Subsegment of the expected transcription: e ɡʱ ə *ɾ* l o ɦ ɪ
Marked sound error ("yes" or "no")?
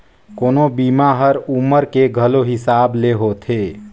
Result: yes